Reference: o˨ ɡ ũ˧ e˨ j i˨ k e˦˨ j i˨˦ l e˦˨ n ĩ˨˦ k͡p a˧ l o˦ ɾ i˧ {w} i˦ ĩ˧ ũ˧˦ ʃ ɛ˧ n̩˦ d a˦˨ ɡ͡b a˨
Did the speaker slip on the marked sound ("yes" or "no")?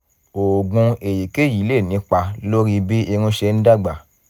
yes